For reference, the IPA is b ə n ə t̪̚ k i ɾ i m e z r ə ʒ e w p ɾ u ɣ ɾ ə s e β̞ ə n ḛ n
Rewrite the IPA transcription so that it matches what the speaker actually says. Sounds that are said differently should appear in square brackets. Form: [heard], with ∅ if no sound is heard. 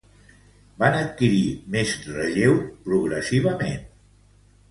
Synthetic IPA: b [a] n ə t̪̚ k i ɾ i m e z r ə ʒ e w p ɾ u ɣ ɾ ə s [i] β̞ ə [m] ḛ n